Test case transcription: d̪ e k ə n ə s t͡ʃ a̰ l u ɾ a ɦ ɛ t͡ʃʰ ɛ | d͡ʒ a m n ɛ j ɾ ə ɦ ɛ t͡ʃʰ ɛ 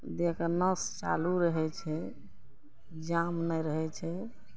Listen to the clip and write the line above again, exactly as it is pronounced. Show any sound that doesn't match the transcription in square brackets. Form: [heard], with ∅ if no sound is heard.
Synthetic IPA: d̪ e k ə n ə s t͡ʃ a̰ l u ɾ [ə] ɦ ɛ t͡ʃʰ ɛ | d͡ʒ a m n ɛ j ɾ ə ɦ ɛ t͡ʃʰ ɛ